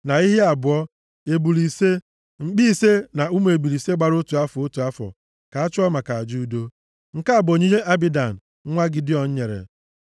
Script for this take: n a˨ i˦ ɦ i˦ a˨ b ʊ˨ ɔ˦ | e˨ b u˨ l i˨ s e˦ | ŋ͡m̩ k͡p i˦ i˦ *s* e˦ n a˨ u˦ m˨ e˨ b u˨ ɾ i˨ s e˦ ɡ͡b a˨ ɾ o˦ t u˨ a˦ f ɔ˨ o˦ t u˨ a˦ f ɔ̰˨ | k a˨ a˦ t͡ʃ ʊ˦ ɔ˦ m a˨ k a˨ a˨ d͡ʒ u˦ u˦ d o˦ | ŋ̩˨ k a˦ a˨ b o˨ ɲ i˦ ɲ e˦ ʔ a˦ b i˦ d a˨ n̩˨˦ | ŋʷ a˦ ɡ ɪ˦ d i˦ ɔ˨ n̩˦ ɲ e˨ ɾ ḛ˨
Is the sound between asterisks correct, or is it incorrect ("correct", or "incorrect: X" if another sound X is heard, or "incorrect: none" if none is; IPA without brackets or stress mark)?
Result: correct